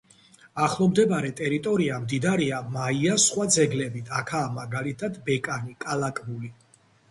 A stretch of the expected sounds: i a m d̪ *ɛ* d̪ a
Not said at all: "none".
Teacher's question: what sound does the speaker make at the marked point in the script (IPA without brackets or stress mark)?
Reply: i